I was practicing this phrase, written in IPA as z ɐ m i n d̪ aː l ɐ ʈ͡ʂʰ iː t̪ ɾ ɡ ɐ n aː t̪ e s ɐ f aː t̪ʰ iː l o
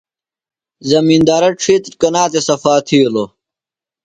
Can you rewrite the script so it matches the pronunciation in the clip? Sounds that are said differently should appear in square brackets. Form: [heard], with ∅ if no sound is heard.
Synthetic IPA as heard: z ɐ m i n d̪ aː [ɾ] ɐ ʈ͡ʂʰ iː t̪ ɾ [k] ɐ n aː t̪ e s ɐ f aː t̪ʰ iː l o